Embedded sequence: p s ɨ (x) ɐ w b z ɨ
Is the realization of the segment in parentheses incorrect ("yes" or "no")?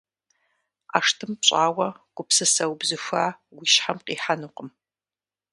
yes